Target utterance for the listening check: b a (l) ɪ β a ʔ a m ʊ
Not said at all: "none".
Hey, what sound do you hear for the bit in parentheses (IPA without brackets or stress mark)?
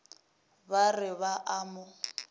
r